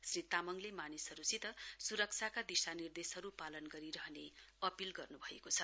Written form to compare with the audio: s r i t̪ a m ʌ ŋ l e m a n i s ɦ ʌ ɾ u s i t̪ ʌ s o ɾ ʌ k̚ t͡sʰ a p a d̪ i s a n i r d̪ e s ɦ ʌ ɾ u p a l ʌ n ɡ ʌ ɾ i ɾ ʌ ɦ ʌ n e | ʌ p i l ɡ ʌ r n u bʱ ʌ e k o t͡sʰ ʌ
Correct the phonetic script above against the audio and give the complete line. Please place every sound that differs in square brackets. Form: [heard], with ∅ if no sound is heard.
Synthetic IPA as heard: s r i t̪ a m ʌ ŋ l e m a n i s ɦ ʌ ɾ u s i t̪ ʌ s [u] ɾ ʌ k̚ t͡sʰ a [k] a d̪ i s a n i r d̪ e s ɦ ʌ ɾ u p a l ʌ n ɡ ʌ ɾ i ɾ ʌ ɦ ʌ n e | ʌ p i l ɡ ʌ r n u bʱ ʌ e k o t͡sʰ ʌ